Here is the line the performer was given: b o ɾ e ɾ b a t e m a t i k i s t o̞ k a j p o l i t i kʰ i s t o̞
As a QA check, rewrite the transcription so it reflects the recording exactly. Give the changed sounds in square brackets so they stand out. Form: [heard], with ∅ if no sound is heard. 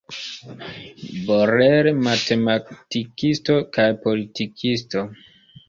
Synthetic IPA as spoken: b o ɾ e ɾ [m] a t e m a t i k i s t o̞ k a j p o l i t i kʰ i s t o̞